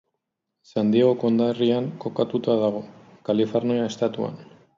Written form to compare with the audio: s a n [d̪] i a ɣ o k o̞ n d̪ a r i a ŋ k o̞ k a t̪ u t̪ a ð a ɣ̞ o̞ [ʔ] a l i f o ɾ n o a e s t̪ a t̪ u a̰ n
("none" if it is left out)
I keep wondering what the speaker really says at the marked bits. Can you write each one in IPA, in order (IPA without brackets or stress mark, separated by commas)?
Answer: d̪, k